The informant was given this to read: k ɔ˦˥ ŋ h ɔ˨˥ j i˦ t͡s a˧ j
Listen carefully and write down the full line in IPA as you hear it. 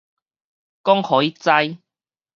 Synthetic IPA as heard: k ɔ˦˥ ŋ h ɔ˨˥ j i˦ t͡s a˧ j